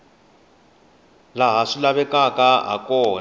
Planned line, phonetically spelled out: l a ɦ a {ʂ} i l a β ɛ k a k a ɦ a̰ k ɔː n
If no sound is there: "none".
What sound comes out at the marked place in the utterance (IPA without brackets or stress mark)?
ʂ